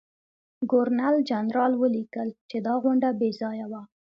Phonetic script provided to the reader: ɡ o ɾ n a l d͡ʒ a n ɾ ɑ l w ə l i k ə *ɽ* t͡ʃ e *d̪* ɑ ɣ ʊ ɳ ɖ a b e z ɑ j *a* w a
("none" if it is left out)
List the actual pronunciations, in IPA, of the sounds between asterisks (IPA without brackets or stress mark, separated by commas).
l, d̪, a